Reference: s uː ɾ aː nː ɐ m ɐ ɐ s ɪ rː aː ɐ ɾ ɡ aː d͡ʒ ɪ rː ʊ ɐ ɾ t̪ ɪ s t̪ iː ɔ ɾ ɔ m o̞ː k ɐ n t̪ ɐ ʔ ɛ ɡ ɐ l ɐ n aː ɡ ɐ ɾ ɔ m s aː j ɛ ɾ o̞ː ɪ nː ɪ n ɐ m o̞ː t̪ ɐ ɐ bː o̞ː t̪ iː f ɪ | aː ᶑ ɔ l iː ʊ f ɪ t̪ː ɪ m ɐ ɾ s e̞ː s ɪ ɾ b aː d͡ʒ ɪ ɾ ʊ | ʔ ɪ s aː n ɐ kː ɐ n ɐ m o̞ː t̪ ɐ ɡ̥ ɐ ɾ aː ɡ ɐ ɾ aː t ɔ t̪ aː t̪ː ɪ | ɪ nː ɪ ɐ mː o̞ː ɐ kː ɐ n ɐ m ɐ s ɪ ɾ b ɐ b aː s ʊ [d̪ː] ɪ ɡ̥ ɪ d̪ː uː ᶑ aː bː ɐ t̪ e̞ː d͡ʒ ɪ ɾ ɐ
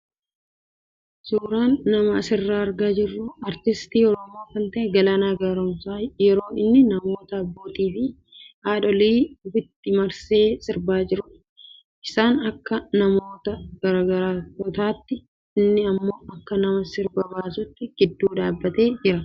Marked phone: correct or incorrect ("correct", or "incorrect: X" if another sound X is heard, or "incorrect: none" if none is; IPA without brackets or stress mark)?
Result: incorrect: t̪ː